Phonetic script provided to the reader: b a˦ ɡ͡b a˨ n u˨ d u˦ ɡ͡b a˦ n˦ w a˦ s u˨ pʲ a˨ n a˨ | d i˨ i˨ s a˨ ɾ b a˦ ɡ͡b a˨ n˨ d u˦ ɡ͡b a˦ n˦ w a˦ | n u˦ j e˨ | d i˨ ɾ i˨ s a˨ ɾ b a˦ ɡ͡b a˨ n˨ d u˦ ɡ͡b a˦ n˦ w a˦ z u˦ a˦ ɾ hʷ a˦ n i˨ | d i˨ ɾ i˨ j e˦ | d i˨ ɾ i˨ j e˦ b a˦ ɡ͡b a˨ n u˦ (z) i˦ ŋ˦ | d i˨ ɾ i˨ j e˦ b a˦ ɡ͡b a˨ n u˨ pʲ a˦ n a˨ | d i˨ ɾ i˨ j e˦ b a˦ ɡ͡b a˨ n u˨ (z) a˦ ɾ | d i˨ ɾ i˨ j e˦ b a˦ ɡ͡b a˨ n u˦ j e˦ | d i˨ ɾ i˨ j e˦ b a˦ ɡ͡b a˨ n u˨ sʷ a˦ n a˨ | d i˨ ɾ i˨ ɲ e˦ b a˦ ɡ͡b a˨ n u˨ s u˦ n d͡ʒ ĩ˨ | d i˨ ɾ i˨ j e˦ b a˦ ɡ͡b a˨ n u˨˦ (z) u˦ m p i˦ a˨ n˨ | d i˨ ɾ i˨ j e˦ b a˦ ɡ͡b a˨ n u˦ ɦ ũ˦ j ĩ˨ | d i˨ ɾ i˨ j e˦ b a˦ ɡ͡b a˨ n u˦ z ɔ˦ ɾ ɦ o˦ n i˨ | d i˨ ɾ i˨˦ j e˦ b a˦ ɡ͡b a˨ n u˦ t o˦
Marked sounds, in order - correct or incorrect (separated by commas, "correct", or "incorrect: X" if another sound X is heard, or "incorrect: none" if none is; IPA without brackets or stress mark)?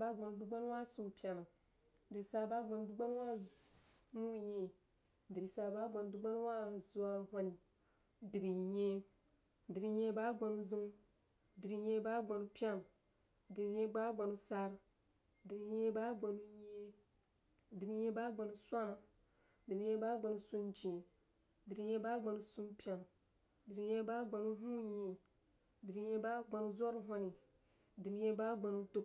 correct, incorrect: s, incorrect: s